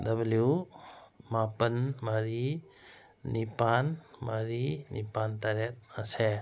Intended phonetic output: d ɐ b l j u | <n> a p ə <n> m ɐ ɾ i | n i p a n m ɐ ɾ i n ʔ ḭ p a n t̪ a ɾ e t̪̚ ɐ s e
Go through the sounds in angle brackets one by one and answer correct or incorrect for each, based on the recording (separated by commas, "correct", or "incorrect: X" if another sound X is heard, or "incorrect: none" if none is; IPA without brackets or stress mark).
incorrect: m, correct